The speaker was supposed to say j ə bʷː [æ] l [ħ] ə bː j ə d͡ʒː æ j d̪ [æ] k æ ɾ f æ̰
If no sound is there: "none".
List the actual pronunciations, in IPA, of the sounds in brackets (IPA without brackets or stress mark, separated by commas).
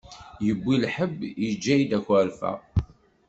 i, ħ, æ